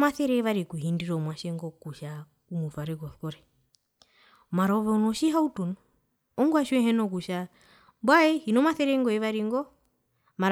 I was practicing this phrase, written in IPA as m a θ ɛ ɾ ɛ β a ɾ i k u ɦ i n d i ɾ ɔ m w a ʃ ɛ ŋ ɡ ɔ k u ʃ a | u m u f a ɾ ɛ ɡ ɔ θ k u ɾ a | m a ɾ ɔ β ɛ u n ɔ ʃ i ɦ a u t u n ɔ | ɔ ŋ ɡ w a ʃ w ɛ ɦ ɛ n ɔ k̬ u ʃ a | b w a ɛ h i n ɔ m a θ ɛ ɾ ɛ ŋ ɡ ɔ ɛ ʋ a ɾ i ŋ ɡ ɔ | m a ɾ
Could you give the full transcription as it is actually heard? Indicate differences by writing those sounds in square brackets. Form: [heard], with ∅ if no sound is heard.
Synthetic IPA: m a θ ɛ ɾ ɛ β a ɾ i k u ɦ i n d i ɾ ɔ m w a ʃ ɛ ŋ ɡ ɔ k u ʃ a | u m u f a ɾ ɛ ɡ ɔ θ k [ɔ] ɾ [ɛ] | m a ɾ ɔ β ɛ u n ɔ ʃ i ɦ a u t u n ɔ | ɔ ŋ ɡ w a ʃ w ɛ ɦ ɛ n ɔ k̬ u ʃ a | b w a ɛ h i n ɔ m a θ ɛ ɾ ɛ ŋ ɡ ɔ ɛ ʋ a ɾ i ŋ ɡ ɔ | m a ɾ